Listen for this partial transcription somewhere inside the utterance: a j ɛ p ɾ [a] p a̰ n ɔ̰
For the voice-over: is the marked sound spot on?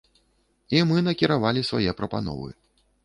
no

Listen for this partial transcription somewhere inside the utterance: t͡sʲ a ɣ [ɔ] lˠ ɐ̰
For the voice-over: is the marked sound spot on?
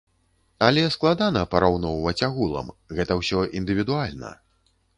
no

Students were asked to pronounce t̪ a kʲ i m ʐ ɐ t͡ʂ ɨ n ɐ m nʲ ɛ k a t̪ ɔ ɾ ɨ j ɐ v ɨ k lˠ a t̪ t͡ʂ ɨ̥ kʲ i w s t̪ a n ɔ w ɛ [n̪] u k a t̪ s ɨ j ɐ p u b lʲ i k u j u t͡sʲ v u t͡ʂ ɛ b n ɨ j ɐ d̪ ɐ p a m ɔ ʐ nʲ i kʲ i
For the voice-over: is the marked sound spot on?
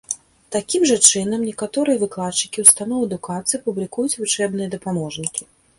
no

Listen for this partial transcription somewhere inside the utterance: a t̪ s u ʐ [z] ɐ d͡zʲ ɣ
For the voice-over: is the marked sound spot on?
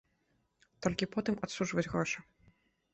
no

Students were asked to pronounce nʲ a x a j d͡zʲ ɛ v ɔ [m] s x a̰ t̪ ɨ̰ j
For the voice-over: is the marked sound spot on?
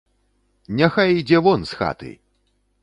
no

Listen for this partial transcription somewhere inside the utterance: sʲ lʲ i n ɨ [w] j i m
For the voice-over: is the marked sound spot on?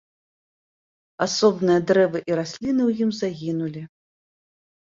yes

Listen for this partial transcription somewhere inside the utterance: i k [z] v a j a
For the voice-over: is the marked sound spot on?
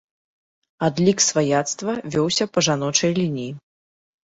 no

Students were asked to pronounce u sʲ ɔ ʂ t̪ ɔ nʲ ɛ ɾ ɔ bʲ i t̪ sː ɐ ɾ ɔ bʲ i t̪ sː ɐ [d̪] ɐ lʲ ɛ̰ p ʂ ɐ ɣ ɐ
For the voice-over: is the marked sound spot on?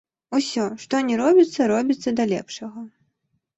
yes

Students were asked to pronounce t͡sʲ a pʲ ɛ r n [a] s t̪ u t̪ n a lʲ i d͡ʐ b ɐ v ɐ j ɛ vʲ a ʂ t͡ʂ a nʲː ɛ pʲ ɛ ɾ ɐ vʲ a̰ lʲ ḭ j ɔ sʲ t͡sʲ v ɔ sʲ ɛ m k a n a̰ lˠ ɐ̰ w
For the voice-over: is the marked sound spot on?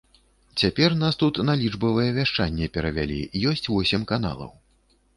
yes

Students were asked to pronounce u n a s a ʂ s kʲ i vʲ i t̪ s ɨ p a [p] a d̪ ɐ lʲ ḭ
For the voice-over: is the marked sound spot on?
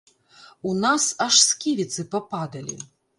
yes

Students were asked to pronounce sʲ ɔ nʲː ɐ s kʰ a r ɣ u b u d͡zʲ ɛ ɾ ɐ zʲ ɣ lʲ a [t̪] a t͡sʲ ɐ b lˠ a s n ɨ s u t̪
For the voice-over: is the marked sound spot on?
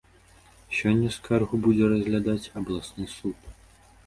no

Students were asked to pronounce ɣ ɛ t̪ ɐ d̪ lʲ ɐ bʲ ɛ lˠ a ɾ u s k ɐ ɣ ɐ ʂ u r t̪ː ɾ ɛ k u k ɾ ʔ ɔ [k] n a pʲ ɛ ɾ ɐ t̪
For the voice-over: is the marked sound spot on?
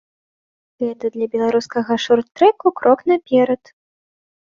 yes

